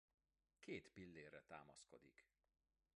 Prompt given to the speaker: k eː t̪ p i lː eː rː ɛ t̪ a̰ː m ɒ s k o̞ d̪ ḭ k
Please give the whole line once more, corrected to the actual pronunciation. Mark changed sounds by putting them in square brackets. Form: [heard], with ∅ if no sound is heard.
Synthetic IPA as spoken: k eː t̪ p i lː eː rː ɛ t̪ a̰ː m ɒ s k o̞ d̪ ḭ k